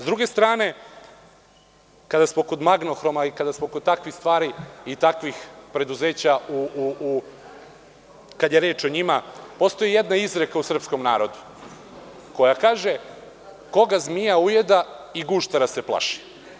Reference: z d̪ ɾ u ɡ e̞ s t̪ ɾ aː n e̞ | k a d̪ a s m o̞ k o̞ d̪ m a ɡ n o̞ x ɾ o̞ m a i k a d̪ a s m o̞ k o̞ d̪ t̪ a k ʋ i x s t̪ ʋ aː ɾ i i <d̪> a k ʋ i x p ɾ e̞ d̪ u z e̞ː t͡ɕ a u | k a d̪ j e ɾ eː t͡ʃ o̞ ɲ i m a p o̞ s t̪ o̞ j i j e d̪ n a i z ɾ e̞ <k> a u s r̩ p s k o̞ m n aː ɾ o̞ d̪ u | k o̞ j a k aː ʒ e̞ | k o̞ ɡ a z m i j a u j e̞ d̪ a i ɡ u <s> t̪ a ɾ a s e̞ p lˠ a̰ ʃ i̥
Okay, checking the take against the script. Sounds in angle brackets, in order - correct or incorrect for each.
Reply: incorrect, correct, incorrect

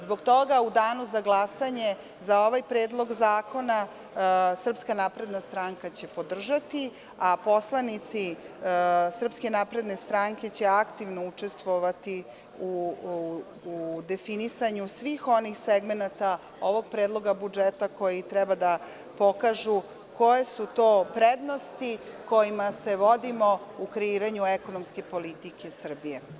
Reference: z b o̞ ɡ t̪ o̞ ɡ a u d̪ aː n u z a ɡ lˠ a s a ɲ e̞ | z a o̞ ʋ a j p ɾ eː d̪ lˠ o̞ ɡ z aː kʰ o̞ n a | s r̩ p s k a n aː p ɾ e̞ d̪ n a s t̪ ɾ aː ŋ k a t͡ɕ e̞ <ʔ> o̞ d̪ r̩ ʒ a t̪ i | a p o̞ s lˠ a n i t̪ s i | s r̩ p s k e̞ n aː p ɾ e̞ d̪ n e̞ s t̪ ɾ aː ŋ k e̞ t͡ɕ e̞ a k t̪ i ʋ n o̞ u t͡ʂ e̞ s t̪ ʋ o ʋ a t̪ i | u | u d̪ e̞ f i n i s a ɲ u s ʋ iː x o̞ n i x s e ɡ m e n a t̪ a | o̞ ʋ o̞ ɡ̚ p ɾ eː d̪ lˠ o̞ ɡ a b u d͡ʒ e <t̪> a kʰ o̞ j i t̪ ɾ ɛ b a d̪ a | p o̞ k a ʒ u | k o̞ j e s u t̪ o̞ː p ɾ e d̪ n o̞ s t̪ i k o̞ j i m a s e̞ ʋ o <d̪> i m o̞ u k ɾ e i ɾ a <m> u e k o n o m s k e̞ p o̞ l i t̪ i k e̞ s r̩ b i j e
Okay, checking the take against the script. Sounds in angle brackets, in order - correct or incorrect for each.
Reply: incorrect, correct, correct, incorrect

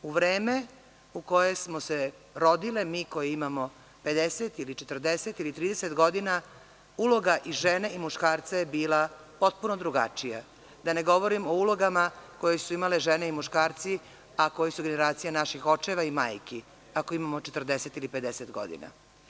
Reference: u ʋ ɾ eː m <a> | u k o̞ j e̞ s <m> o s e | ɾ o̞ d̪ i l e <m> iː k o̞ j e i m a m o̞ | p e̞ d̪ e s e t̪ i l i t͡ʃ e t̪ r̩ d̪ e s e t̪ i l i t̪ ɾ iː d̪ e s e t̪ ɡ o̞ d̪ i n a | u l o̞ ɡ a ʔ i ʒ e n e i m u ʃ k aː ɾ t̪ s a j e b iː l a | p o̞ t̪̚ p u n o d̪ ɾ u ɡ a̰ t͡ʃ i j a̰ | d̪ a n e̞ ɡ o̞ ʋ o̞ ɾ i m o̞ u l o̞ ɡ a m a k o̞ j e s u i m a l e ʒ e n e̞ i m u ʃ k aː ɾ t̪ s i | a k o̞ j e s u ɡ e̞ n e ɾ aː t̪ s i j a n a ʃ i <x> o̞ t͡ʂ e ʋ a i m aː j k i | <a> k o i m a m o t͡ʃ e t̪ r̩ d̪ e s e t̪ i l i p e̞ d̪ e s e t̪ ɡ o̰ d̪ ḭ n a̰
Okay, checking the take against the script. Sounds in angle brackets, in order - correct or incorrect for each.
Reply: incorrect, correct, correct, correct, correct

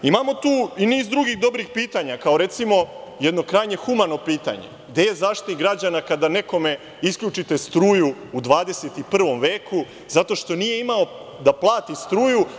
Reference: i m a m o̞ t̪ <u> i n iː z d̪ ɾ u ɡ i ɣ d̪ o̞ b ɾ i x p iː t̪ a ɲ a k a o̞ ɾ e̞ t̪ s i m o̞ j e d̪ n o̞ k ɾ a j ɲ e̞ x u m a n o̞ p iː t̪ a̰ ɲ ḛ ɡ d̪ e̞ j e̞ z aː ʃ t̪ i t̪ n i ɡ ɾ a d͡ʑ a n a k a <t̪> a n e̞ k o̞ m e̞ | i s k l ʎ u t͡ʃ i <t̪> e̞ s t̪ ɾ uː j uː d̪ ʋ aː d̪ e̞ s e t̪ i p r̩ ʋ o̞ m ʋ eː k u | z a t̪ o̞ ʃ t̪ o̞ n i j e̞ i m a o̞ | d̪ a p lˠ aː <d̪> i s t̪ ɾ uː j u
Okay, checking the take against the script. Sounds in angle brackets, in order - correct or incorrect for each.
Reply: incorrect, incorrect, correct, incorrect

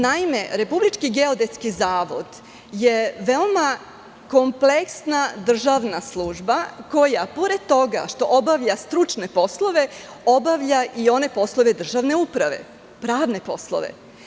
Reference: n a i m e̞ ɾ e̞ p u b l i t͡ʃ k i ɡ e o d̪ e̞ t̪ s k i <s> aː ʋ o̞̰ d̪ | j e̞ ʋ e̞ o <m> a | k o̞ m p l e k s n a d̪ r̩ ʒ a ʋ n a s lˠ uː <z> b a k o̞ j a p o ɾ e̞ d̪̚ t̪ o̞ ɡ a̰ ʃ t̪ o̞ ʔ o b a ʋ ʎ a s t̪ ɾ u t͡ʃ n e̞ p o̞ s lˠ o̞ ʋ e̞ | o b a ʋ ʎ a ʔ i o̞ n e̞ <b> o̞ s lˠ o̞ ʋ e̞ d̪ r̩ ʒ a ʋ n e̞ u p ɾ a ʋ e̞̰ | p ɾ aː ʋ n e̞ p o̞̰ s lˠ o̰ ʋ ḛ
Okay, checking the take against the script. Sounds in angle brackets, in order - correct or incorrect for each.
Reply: incorrect, correct, incorrect, incorrect

